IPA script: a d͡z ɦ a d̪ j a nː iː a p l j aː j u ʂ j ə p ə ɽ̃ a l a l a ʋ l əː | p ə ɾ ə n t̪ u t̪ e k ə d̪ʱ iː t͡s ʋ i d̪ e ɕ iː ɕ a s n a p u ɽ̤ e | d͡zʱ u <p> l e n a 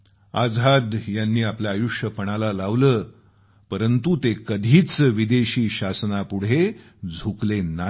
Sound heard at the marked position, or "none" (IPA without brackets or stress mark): k